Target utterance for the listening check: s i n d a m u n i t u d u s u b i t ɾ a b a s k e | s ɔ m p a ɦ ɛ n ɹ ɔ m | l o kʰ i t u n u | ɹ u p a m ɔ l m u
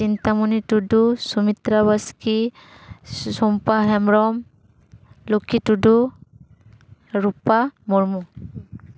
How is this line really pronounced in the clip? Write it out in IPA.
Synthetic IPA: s i n t a m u n i t u d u s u m i t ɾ a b a s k i | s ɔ m p a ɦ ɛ m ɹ ɔ m | l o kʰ i t u d u | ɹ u p a m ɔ ɹ m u